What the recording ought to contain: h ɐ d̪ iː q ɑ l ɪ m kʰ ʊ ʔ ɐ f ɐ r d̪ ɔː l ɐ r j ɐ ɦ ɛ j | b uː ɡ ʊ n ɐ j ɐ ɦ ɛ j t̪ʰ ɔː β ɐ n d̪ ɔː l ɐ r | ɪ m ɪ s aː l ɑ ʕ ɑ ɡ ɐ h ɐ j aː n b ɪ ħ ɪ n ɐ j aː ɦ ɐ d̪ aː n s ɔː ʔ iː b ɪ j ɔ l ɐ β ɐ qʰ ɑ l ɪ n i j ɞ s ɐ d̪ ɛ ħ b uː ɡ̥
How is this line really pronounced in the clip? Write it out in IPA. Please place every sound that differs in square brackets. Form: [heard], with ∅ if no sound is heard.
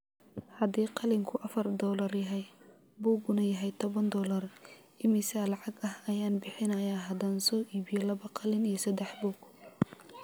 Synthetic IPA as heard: h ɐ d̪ iː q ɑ l ɪ [ŋ] kʰ ʊ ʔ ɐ f ɐ r d̪ ɔː l ɐ r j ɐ ɦ ɛ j | b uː ɡ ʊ n ɐ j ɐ ɦ ɛ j t̪ʰ [ɔ] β ɐ n d̪ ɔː l ɐ r | ɪ m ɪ s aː l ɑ ʕ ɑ ɡ ɐ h ɐ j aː n b ɪ ħ ɪ n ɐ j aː ɦ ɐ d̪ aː n s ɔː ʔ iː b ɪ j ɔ l ɐ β ɐ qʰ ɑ l ɪ n i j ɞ s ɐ d̪ ɛ ħ b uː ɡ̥